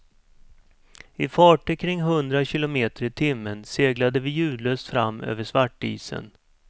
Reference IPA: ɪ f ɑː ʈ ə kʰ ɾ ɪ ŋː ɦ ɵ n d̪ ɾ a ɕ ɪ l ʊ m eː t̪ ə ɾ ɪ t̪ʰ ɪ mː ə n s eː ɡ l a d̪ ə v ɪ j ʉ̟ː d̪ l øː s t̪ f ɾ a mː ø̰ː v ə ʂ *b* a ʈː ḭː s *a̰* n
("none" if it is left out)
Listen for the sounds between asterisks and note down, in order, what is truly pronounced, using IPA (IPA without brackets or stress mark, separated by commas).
v, ə̰